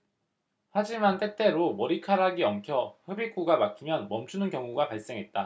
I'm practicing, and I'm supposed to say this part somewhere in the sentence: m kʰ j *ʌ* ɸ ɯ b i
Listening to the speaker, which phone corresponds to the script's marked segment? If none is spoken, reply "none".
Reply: ʌ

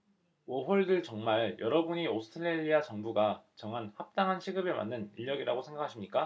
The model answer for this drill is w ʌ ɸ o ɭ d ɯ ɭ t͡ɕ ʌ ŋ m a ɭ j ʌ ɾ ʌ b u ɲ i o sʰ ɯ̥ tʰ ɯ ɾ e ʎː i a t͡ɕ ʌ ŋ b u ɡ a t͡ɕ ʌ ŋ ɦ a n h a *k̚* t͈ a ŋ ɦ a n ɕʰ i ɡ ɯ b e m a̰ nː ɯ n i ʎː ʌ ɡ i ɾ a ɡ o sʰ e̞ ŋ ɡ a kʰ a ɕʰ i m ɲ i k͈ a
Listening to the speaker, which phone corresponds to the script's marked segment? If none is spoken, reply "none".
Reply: p̚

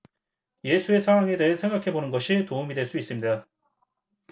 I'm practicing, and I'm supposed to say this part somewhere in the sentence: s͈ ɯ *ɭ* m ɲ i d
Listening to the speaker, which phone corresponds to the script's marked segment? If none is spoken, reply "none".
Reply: none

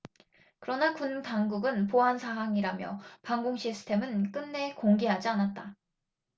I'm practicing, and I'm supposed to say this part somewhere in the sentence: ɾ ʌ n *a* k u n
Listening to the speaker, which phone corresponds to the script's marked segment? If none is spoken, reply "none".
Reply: a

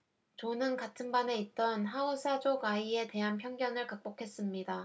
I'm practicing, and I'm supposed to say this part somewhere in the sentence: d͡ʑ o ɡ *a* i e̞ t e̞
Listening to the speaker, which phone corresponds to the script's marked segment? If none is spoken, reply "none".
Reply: a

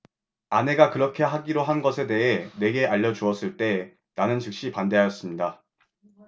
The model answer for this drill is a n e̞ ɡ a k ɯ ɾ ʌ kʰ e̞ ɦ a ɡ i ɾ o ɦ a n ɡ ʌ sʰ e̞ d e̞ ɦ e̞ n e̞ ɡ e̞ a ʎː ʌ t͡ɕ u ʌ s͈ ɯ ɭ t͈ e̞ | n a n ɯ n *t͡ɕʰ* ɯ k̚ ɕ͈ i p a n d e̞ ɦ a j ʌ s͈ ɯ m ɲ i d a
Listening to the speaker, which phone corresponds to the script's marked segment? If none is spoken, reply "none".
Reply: t͡ɕ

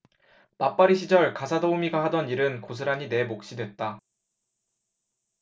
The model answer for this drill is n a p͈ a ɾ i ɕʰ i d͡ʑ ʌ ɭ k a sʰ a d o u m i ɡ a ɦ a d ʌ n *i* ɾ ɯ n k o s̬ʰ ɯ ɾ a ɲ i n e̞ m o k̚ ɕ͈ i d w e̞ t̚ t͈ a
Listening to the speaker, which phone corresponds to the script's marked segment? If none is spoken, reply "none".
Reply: i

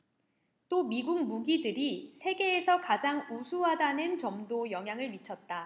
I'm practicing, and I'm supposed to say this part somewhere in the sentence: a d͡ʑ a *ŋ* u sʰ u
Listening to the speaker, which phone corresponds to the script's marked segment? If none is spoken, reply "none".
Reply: ŋ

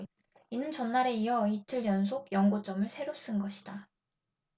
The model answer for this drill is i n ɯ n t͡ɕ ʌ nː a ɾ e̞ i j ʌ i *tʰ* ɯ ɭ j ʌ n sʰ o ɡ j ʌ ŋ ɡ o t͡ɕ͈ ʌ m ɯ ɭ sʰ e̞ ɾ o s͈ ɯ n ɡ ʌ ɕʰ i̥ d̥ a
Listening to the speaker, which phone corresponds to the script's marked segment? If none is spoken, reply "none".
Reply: tʰ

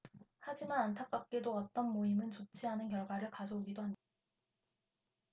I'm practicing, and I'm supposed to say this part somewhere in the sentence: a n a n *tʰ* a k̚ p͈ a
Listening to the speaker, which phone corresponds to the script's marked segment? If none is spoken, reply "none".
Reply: tʰ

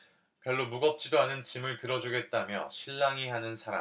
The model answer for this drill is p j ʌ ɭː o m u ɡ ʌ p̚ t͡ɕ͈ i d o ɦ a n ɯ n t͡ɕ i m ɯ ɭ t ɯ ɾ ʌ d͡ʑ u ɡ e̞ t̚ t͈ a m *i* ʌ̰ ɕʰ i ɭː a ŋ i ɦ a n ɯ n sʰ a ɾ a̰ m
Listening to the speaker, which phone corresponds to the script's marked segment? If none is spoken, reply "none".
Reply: j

